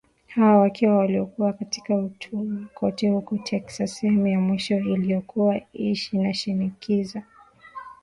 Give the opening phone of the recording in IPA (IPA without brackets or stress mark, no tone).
h